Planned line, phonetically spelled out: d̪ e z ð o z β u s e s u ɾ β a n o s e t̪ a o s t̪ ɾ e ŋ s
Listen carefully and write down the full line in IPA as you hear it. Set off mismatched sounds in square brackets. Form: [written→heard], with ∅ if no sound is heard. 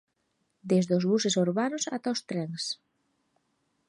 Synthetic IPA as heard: d̪ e z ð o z β u s e s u ɾ β a n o s [e→a] t̪ a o s t̪ ɾ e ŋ s